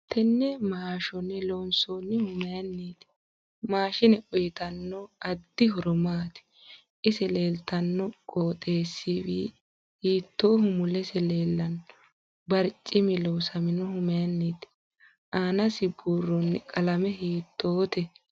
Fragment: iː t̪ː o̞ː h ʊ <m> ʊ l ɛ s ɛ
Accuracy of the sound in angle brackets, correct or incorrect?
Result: correct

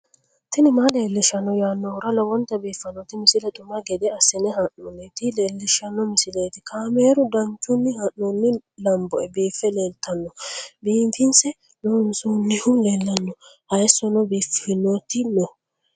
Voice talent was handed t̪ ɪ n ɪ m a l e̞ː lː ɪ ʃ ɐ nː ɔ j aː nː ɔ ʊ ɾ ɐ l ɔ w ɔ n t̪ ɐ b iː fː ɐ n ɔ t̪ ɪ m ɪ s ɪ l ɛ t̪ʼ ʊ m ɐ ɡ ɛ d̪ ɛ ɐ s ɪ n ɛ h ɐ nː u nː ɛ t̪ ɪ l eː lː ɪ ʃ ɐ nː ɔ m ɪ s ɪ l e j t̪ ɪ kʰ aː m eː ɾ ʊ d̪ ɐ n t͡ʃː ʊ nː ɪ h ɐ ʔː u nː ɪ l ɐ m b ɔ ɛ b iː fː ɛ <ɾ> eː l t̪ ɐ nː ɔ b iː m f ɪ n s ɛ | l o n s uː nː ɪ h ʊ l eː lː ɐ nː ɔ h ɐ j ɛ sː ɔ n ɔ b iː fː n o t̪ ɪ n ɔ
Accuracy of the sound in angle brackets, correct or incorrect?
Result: incorrect: l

